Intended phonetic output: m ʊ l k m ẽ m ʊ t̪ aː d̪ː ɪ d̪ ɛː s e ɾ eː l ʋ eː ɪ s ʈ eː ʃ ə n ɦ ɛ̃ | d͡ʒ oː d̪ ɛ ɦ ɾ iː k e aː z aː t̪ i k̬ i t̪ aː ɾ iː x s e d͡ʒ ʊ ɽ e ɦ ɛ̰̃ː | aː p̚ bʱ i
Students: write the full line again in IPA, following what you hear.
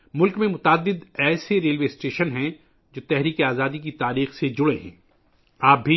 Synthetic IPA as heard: m ʊ l k m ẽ m ʊ t̪ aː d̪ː ɪ d̪ ɛː s e ɾ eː l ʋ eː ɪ s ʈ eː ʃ ə n ɦ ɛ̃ | d͡ʒ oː t̪ ɛ ɦ ɾ iː k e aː z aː d̪ i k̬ i t̪ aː ɾ iː x s e d͡ʒ ʊ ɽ e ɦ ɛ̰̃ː | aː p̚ bʱ i

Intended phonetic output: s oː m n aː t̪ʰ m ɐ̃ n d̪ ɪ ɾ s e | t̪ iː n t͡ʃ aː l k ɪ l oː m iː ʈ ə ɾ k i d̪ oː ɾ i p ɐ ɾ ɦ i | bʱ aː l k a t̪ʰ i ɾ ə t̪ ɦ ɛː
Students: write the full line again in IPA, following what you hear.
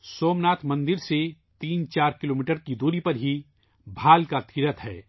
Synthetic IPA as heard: s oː m n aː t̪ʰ m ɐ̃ n d̪ ɪ ɾ s e | t̪ iː n t͡ʃ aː ɾ k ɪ l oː m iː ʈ ə ɾ k i d̪ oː ɾ i p ɐ ɾ ɦ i | bʱ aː l k a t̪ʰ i ɾ ə t̪ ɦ ɛː

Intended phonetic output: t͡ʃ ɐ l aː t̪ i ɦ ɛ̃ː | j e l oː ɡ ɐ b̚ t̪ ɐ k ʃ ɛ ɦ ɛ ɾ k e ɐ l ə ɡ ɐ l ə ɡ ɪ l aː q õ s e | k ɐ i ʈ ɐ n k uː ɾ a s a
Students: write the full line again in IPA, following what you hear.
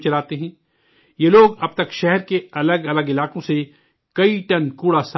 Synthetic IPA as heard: t͡ʃ ɐ l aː t̪ e ɦ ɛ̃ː | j e l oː ɡ ɐ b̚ t̪ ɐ k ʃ ɛ ɦ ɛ ɾ k e ɐ l ə ɡ ɐ l ə ɡ ɪ l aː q õ s e | k ɐ i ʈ ɐ n k uː ɽ a s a

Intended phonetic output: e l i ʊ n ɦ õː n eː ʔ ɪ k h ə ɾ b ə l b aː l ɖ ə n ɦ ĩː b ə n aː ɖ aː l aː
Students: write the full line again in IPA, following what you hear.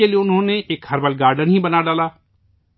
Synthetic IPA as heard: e l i ʊ n ɦ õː n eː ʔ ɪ k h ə ɾ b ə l ɡ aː ɾ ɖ ə n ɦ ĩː b ə n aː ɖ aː l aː

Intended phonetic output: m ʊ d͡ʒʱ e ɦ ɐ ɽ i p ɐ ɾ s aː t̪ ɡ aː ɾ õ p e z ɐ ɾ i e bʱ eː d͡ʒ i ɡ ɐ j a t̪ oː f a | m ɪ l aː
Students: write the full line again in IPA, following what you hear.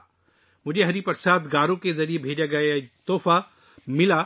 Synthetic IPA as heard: m ʊ d͡ʒʱ e ɦ ɐ ɾ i p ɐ ɾ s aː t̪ ɡ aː ɾ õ k e z ɐ ɾ i e bʱ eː d͡ʒ a ɡ ɐ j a t̪ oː f a | m ɪ l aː

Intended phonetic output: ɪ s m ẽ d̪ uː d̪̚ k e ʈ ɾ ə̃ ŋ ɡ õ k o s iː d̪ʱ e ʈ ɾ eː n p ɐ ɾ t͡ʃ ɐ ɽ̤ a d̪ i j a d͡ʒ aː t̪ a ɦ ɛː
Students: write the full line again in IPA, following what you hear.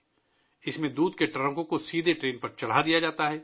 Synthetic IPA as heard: ɪ s m ẽ d̪ uː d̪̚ k e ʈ ɾ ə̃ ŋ k õ k o s iː d̪ʱ e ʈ ɾ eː n p ɐ ɾ t͡ʃ ɐ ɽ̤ a d̪ i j a d͡ʒ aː t̪ a ɦ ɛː

